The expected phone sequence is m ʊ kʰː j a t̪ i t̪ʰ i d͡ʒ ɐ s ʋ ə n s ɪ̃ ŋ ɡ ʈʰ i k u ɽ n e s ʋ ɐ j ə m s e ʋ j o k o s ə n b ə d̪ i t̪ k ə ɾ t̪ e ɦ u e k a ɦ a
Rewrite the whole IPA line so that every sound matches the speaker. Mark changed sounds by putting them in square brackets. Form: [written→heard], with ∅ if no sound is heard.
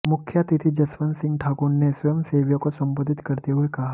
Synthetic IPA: m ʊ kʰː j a t̪ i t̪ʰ i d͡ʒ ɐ s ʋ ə n s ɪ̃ ŋ ɡ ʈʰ [i→a] k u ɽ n e s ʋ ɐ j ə m s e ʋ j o k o s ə [n→m] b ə d̪ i t̪ k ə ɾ t̪ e ɦ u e k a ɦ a